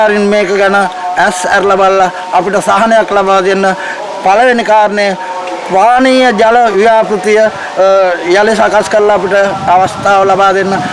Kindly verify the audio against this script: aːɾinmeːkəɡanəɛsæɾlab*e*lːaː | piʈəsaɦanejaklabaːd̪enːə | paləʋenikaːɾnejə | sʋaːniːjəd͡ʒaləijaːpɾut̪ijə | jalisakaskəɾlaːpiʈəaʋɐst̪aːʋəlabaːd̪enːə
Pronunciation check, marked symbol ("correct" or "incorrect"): incorrect